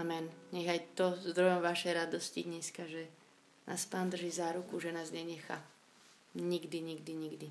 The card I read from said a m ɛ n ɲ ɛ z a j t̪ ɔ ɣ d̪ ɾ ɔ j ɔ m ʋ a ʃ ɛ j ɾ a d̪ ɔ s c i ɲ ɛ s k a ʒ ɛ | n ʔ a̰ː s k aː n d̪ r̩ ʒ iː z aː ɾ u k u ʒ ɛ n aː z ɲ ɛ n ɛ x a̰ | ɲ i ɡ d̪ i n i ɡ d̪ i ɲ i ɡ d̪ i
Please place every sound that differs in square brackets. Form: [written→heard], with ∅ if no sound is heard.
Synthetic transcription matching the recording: a m ɛ n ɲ ɛ [z→ɣ] a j t̪ ɔ [ɣ→z] d̪ ɾ ɔ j ɔ m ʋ a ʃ ɛ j ɾ a d̪ ɔ s c i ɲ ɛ s k a ʒ ɛ | n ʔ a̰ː s [k→p] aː n d̪ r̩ ʒ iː z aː ɾ u k u ʒ ɛ n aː z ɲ ɛ [n→ɲ] ɛ x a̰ | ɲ i ɡ d̪ i [n→ɲ] i ɡ d̪ i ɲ i ɡ d̪ i